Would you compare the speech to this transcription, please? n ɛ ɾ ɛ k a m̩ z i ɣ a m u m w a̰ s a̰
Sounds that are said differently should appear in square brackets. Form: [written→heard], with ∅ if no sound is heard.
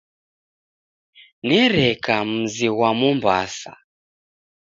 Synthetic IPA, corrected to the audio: n ɛ ɾ ɛ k a m̩ z i [ɣ→w] a m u m [w→b] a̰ s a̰